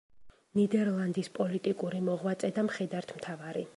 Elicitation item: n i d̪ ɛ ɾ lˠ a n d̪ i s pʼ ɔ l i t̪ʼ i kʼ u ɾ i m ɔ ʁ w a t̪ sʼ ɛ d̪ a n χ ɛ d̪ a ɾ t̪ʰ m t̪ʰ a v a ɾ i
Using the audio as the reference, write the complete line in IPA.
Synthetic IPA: n i d̪ ɛ ɾ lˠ a n d̪ i s pʼ ɔ l i t̪ʼ i kʼ u ɾ i m ɔ ʁ w a t̪ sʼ ɛ d̪ a m χ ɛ d̪ a ɾ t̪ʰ m t̪ʰ a v a ɾ i